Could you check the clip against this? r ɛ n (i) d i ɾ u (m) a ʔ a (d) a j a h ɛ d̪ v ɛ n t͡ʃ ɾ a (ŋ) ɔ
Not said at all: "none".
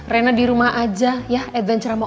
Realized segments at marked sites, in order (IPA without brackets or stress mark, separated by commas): a, m, d͡ʒ, m